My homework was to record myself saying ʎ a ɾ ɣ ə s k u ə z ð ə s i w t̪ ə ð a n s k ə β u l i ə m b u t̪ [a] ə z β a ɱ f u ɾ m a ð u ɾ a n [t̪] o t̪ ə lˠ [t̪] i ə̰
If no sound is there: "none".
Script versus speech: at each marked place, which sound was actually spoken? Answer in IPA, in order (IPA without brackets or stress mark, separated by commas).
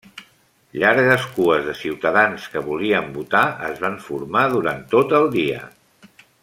a, t̪, d̪